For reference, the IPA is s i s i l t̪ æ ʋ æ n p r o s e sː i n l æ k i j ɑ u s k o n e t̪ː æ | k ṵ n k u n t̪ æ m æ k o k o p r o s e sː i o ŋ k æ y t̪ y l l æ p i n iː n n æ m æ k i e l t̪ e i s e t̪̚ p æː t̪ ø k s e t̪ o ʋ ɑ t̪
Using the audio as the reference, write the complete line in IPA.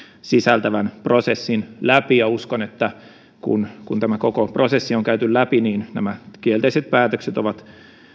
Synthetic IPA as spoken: s i s æ l t̪ æ ʋ æ n p r o s e sː i n l æ p i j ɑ u s k o n e t̪ː æ | k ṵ n k u n t̪ æ m æ k o k o p r o s e sː i o ŋ k æ y t̪ y l l æ p i n iː n n æ m æ k i e l t̪ e i s e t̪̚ p æː t̪ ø k s e t̪ o ʋ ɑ t̪